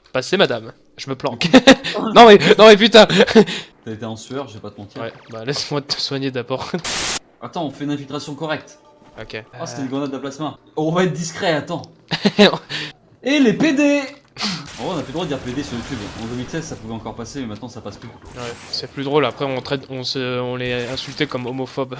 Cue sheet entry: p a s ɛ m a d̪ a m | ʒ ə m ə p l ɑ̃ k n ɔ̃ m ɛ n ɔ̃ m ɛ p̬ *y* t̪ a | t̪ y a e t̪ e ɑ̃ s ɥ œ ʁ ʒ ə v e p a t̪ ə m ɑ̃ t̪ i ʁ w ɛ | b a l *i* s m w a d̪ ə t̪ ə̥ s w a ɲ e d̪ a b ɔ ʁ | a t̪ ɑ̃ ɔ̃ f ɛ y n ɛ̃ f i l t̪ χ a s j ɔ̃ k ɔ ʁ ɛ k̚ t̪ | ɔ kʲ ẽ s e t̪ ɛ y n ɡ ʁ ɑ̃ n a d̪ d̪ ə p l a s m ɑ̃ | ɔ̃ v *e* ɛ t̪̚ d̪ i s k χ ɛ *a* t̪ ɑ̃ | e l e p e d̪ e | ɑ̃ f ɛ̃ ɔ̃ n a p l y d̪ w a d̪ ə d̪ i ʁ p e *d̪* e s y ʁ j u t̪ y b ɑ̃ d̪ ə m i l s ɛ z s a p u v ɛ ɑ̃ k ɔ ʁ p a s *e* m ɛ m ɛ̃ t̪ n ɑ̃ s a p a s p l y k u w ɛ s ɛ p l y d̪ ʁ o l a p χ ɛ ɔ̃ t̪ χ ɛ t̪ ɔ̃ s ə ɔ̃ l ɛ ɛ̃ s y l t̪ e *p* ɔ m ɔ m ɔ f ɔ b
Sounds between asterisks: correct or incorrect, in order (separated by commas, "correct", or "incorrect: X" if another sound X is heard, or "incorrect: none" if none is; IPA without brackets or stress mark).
correct, incorrect: ɛ, incorrect: a, correct, correct, correct, incorrect: k